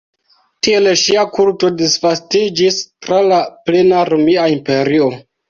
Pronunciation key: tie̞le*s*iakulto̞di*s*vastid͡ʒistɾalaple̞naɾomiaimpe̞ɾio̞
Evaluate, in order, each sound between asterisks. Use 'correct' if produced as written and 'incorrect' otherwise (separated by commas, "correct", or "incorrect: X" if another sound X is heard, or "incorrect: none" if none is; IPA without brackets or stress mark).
incorrect: ʃ, correct